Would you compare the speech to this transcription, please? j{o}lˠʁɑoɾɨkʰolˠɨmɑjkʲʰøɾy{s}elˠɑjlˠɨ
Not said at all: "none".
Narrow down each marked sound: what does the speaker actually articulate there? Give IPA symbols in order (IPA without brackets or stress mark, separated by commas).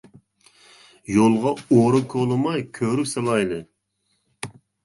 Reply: o, s